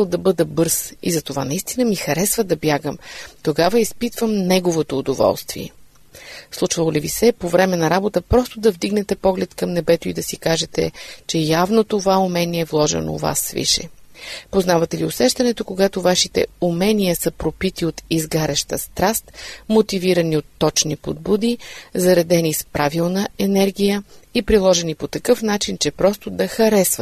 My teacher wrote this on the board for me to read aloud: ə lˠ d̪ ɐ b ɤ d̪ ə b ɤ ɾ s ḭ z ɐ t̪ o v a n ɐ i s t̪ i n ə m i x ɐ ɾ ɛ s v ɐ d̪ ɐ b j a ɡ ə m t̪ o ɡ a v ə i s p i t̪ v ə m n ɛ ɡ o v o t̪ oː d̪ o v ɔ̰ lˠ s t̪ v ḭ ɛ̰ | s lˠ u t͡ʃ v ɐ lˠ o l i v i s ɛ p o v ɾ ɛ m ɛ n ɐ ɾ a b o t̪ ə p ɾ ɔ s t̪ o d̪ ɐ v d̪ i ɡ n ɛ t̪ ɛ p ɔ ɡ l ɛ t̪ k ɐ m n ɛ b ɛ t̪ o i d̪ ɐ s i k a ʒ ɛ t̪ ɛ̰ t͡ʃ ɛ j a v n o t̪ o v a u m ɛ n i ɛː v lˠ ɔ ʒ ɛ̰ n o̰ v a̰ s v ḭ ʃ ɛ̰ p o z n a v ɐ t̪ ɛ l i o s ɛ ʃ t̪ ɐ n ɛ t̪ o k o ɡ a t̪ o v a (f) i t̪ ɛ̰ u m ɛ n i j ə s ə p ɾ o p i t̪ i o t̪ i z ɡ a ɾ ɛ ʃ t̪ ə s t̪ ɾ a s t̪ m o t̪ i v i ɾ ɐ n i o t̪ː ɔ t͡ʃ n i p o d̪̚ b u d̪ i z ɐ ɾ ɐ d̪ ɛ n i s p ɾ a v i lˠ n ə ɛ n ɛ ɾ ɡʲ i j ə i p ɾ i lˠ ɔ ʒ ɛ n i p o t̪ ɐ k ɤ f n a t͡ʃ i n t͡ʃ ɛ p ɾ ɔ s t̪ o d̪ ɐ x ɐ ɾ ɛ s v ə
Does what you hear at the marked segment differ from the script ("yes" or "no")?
yes